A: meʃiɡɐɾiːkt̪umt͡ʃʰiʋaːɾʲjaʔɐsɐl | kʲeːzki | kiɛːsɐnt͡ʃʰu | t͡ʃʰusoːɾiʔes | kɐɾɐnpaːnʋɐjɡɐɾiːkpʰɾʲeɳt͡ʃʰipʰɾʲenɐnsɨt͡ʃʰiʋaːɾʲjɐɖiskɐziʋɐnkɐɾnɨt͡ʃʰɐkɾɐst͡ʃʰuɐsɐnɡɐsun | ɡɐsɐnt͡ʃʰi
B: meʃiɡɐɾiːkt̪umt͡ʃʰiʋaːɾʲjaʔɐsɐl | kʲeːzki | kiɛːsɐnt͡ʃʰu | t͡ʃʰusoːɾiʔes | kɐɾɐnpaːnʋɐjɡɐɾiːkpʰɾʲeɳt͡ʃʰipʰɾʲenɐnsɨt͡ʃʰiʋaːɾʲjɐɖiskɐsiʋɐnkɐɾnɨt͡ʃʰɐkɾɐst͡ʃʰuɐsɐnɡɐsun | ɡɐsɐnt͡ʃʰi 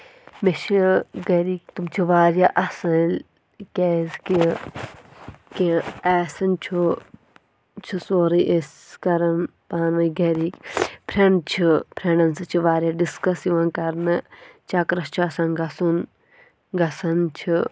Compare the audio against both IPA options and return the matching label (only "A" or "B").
B